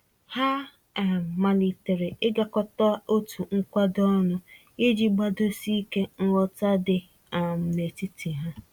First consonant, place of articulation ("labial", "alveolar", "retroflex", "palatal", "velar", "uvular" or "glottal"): glottal